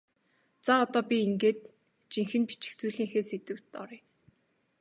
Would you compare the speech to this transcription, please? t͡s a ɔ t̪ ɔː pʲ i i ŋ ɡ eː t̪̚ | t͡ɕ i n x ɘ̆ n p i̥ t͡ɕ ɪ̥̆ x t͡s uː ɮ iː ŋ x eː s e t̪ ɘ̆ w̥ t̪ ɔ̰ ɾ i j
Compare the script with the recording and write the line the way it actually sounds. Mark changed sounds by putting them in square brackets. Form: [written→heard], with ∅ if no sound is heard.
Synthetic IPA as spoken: t͡s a ɔ t̪ ɔː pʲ i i ŋ ɡ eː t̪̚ | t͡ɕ i [n→ŋ] x ɘ̆ n p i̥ t͡ɕ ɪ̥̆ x t͡s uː ɮ iː ŋ x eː s e t̪ ɘ̆ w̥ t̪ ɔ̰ ɾ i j

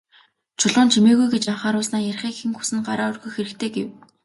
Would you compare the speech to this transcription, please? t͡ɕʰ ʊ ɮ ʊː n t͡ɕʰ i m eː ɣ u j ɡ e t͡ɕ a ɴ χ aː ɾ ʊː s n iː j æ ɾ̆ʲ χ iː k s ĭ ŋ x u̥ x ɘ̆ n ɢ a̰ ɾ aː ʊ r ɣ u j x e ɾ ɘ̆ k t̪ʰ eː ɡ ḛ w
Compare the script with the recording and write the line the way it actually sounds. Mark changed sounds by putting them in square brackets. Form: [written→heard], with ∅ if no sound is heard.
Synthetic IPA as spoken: t͡ɕʰ ʊ ɮ ʊː n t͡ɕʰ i m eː ɣ u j ɡ e t͡ɕ a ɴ χ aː ɾ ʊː s n [iː→aː] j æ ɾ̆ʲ χ iː k [s→x] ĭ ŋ x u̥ [x→s] ɘ̆ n ɢ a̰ ɾ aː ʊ r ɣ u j x e ɾ ɘ̆ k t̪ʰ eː ɡ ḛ w

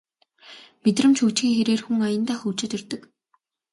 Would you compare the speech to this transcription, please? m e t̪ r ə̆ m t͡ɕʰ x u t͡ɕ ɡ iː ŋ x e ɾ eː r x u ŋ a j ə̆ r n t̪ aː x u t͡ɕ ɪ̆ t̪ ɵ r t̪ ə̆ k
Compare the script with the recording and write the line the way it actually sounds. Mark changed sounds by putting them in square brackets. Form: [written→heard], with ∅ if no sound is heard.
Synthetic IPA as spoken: m e t̪ r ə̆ m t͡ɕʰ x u t͡ɕ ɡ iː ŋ x e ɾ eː r x u ŋ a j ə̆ [r→∅] n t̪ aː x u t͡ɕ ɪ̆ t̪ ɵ r t̪ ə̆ k

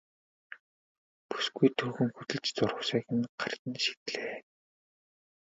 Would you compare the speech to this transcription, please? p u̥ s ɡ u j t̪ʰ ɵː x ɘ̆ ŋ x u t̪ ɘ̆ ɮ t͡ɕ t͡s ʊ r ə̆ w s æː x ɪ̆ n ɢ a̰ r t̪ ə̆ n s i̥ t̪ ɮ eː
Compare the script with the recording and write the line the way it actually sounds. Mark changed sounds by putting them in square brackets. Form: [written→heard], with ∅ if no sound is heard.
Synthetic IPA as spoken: p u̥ s ɡ u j t̪ʰ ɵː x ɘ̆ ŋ x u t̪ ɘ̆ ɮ t͡ɕ t͡s ʊ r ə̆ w s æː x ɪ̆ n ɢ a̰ r t̪ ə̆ n [s→ʃ] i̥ t̪ ɮ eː

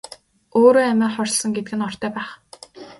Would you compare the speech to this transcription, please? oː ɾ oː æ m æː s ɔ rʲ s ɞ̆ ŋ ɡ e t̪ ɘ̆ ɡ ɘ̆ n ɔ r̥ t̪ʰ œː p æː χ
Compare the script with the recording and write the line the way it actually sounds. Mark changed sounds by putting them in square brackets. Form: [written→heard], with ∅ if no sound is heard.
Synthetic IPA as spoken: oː ɾ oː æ m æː [s→χ] ɔ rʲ s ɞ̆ ŋ ɡ e t̪ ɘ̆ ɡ ɘ̆ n ɔ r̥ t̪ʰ œː p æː χ

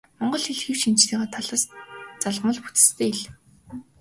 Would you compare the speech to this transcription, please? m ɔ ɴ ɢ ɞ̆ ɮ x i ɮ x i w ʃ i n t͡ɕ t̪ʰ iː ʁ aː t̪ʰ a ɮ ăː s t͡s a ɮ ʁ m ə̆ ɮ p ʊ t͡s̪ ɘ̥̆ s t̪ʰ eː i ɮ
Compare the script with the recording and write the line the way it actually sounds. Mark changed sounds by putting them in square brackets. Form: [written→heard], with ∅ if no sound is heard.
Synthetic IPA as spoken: m ɔ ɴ ɢ ɞ̆ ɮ x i ɮ x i w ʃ i n t͡ɕ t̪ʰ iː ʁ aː t̪ʰ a ɮ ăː s t͡s a ɮ ʁ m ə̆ ɮ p [ʊ→u] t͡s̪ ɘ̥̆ s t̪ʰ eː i ɮ

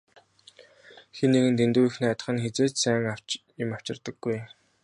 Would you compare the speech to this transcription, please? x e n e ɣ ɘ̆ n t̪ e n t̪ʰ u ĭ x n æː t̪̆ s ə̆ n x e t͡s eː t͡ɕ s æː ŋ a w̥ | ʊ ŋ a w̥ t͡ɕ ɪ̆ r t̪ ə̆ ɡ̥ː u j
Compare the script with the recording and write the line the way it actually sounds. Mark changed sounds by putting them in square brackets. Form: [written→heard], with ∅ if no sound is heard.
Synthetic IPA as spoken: x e n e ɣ ɘ̆ n t̪ e n [t̪ʰ→t̪] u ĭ x n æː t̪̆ [s→χ] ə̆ n x e t͡s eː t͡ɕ s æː ŋ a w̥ | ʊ [ŋ→m] a w̥ t͡ɕ ɪ̆ r t̪ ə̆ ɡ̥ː u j

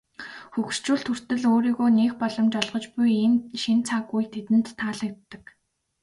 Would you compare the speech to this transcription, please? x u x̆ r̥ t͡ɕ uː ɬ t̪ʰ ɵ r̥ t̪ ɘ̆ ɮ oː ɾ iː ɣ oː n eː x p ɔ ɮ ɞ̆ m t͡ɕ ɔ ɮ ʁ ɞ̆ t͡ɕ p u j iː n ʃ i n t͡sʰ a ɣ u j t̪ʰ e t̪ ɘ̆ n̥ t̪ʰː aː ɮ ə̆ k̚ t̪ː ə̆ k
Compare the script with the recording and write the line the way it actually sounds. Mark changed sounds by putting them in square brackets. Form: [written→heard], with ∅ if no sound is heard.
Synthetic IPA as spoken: x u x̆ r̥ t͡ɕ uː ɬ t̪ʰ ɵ r̥ t̪ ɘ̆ ɮ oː ɾ iː ɣ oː n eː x p ɔ ɮ ɞ̆ m t͡ɕ ɔ ɮ ʁ ɞ̆ t͡ɕ p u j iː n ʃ i n t͡sʰ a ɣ u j t̪ʰ e t̪ ɘ̆ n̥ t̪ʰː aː ɮ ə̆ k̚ t̪ː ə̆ k

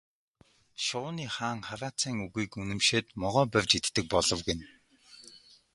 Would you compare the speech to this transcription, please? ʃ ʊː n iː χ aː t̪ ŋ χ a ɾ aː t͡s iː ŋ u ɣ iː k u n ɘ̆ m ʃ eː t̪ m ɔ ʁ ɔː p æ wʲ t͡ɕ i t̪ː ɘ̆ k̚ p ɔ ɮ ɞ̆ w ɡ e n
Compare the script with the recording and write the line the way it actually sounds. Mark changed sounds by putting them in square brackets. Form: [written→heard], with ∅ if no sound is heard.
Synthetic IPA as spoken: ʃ ʊː n iː χ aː [t̪→∅] ŋ χ a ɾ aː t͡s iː ŋ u ɣ iː k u n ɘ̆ m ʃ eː t̪ m ɔ ʁ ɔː p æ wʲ t͡ɕ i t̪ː ɘ̆ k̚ p ɔ ɮ ɞ̆ w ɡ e n

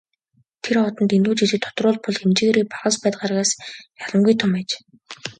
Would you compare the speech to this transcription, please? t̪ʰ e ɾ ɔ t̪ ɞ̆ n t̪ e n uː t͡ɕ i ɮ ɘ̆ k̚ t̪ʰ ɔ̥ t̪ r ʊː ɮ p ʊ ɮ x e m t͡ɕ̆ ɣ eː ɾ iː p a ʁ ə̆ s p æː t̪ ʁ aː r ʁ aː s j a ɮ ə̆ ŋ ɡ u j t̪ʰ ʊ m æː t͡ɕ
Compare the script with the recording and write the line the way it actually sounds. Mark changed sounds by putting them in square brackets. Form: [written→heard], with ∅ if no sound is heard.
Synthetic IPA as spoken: t̪ʰ e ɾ ɔ t̪ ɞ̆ n t̪ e n uː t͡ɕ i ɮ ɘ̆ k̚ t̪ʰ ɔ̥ t̪ r ʊː ɮ p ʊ ɮ x e m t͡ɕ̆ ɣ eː ɾ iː p a ʁ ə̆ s p æː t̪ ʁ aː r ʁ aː s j a ɮ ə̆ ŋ ɡ u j t̪ʰ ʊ m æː t͡ɕ

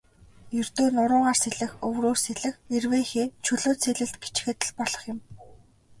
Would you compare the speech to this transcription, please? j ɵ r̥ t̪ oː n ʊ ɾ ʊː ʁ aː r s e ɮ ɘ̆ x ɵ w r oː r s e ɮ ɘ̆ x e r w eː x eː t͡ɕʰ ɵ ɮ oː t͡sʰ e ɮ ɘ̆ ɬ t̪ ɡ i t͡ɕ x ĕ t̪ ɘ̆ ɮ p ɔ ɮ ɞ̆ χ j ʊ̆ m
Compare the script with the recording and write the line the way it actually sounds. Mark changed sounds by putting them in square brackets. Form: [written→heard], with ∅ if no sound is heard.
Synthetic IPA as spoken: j ɵ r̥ t̪ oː n ʊ ɾ ʊː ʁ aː r s e ɮ ɘ̆ x ɵ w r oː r s e ɮ ɘ̆ x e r w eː x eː t͡ɕʰ ɵ ɮ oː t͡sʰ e ɮ ɘ̆ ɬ t̪ ɡ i t͡ɕ x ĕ t̪ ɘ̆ ɮ p ɔ ɮ ɞ̆ χ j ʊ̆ m

